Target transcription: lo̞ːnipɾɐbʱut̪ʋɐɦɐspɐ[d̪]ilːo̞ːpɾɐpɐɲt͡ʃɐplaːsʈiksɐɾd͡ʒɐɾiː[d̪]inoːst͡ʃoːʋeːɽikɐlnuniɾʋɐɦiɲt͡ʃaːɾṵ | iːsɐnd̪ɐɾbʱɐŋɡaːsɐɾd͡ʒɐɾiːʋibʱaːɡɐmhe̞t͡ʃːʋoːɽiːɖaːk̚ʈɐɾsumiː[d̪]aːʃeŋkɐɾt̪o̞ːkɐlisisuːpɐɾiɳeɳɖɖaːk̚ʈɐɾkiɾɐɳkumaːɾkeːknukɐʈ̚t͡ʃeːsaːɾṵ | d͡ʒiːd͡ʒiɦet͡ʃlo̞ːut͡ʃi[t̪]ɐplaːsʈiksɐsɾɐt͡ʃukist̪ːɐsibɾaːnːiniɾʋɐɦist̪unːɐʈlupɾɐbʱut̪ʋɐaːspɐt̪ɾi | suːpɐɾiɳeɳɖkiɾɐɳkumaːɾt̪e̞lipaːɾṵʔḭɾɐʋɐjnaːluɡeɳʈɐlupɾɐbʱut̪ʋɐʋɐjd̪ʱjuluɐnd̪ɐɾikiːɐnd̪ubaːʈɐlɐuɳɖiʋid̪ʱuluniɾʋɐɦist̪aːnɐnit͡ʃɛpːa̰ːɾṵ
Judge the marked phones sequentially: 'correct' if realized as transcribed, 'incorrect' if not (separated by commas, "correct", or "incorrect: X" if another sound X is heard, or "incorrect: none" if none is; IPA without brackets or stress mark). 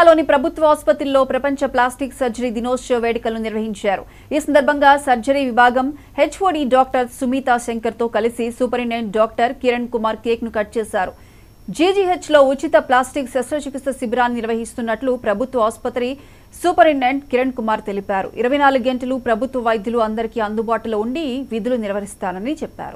incorrect: t̪, correct, incorrect: t̪, correct